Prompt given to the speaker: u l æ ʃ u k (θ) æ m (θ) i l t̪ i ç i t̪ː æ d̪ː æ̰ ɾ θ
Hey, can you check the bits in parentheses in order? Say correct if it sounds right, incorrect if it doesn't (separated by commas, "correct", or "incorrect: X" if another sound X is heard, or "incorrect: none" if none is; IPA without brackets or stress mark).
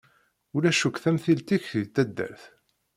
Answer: correct, correct